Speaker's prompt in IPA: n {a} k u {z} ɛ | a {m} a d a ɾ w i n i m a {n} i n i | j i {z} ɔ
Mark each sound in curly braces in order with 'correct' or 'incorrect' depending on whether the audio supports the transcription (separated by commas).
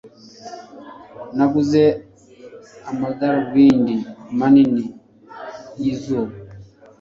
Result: correct, correct, correct, correct, correct